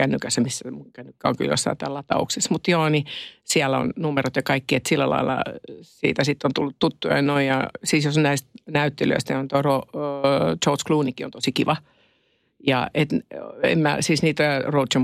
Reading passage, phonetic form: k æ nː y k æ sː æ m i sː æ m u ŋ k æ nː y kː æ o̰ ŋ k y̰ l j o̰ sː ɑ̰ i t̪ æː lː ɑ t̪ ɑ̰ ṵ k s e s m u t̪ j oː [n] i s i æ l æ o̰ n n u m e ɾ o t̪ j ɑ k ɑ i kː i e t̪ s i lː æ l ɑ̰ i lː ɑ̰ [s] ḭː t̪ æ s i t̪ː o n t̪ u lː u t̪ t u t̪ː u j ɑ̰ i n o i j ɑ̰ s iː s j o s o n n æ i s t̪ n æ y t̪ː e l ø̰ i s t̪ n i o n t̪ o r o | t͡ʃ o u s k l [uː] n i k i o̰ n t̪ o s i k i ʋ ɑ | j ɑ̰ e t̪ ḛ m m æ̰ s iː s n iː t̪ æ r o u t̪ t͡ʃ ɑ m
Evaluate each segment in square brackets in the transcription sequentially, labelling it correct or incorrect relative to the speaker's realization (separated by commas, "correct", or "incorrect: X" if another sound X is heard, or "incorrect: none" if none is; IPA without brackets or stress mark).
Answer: correct, correct, correct